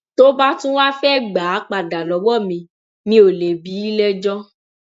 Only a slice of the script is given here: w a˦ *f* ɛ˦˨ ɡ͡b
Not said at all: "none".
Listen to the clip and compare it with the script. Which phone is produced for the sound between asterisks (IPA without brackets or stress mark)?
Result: f